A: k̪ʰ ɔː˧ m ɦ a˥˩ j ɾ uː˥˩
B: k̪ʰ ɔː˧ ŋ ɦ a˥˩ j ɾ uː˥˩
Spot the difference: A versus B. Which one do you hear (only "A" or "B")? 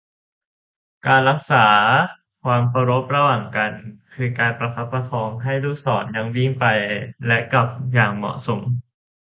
B